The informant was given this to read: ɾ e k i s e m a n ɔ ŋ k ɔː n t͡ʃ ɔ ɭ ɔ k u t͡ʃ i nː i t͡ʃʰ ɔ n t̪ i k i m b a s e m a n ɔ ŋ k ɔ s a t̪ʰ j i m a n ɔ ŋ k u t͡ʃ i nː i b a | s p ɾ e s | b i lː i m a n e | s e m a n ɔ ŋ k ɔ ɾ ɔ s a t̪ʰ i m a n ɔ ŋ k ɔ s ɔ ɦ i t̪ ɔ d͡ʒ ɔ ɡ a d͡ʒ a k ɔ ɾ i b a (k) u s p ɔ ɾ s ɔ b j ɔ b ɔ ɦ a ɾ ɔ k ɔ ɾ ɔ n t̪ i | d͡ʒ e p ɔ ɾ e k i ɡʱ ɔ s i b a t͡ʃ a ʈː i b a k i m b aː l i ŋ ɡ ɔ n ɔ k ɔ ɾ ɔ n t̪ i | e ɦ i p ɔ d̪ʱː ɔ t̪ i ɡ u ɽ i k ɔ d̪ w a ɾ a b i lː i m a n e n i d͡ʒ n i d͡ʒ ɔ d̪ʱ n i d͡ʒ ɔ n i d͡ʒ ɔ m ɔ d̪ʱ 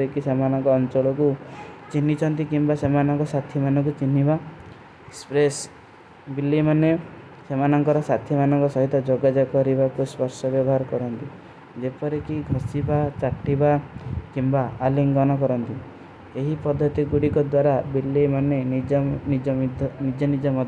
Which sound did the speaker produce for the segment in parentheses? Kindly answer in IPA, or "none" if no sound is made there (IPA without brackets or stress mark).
k